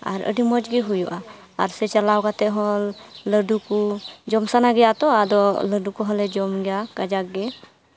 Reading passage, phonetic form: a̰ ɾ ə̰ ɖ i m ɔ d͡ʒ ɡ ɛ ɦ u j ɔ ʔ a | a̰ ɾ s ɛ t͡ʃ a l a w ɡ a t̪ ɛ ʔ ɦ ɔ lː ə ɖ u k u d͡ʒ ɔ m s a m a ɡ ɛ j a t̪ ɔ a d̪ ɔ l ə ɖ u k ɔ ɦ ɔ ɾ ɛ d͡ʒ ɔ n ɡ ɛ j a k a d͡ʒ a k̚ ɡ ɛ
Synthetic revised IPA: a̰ ɾ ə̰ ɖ i m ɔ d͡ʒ ɡ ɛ ɦ u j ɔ ʔ a | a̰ ɾ s ɛ t͡ʃ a l a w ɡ a t̪ ɛ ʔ ɦ ɔ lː ə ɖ u k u d͡ʒ ɔ m s a n a ɡ ɛ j a t̪ ɔ a d̪ ɔ l ə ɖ u k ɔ ɦ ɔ l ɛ d͡ʒ ɔ m ɡ ɛ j a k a d͡ʒ a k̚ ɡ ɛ